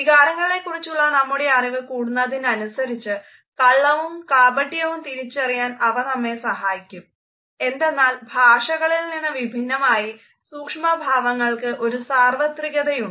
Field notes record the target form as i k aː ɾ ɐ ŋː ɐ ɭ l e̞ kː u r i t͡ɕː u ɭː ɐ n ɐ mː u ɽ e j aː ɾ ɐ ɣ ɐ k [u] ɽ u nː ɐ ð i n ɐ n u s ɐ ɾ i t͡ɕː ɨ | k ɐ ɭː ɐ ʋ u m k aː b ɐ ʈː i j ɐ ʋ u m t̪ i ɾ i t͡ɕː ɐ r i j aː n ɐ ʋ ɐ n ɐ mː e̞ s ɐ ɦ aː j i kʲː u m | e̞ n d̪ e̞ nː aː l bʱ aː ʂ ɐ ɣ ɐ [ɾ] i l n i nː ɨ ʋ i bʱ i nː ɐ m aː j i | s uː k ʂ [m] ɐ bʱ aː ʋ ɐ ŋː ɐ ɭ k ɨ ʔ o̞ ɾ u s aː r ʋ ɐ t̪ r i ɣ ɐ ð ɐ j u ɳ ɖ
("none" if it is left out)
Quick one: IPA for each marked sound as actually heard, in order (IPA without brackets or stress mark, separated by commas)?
uː, ɭ, m